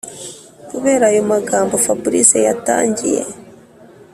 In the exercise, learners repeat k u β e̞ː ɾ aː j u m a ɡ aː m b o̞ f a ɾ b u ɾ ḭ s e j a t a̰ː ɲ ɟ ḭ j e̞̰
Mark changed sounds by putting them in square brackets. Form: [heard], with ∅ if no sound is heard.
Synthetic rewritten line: k u β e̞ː ɾ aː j [o] m a ɡ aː m b o̞ f a [∅] b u ɾ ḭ s e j a t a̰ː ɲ ɟ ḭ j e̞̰